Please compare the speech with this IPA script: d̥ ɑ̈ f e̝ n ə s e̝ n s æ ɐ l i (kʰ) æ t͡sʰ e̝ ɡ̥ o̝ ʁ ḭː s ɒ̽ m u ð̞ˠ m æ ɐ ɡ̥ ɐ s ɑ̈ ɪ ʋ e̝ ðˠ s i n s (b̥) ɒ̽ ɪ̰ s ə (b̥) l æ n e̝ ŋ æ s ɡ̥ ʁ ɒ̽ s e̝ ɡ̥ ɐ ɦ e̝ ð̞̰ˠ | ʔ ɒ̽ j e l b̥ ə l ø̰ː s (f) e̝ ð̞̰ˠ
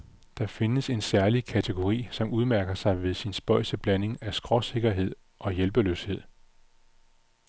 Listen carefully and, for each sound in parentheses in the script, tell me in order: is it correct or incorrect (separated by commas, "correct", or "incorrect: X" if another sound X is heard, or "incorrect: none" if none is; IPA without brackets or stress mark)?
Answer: correct, correct, correct, incorrect: h